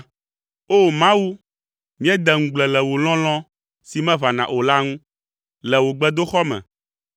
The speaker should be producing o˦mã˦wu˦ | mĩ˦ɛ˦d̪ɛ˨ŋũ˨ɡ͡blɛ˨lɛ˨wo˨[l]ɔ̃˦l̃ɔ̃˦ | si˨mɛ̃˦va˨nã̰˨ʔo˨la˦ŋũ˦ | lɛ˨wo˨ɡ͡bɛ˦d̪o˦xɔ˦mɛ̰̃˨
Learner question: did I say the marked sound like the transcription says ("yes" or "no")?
yes